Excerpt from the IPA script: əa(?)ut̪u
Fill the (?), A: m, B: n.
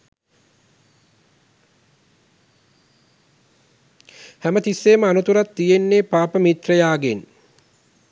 B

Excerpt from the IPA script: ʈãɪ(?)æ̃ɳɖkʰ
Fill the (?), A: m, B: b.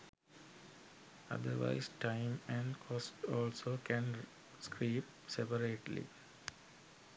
A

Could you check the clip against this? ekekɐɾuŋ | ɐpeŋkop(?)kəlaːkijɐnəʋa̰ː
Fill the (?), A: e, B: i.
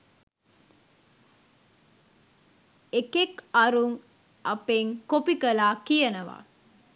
B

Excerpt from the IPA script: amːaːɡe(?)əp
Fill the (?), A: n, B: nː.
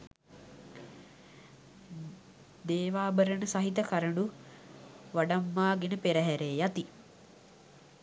A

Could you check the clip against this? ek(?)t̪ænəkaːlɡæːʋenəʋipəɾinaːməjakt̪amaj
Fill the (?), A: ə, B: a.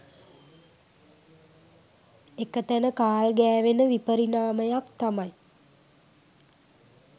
A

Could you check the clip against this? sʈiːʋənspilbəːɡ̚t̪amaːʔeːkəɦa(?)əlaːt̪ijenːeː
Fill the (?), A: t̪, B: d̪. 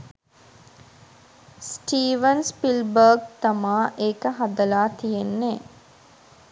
B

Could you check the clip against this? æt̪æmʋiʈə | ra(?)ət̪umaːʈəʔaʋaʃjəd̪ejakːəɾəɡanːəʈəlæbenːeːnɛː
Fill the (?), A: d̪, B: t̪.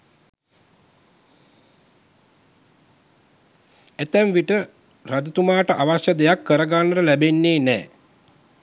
A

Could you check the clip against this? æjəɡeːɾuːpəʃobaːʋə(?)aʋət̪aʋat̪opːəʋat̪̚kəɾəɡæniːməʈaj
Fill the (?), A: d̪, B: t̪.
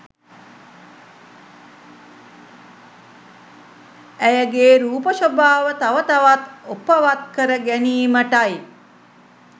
B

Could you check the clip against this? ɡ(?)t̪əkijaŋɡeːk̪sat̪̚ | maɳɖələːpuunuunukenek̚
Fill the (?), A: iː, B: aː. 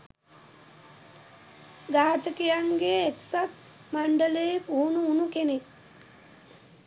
B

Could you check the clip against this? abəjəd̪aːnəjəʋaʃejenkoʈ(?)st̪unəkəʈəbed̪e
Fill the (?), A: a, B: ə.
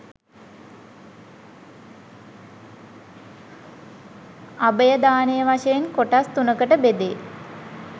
A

